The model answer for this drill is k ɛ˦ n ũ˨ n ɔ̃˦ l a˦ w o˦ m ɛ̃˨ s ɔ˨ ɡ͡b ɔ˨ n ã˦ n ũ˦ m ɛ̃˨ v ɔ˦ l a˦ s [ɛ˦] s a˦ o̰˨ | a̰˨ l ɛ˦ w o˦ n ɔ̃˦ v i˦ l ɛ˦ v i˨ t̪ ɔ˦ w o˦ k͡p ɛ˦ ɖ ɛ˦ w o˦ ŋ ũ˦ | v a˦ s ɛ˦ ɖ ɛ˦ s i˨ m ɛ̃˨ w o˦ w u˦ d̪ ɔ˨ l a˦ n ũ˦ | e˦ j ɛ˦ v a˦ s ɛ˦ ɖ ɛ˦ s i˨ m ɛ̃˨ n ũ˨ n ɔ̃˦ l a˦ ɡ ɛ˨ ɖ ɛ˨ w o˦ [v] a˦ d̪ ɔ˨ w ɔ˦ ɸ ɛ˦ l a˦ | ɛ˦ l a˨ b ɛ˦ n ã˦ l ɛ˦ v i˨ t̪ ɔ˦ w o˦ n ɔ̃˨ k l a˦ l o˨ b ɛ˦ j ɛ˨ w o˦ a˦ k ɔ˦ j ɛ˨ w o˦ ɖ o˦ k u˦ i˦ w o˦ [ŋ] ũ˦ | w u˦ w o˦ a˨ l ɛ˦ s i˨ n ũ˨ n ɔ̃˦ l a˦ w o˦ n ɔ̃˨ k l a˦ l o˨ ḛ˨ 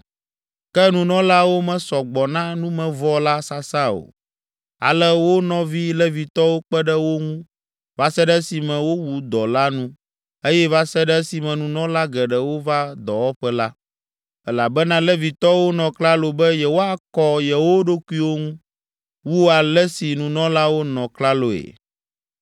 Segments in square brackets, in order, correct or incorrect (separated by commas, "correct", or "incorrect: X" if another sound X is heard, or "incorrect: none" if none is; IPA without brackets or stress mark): incorrect: a˦, correct, correct